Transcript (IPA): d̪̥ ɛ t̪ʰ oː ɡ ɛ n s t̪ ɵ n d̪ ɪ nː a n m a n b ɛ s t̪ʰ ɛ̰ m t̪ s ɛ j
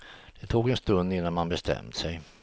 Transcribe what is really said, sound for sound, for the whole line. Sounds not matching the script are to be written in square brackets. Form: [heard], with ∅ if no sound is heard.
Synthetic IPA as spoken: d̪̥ ɛ t̪ʰ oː ɡ ɛ n s t̪ ɵ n d̪ ɪ nː a n m a n b ɛ s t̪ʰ ɛ̰ m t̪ s ɛ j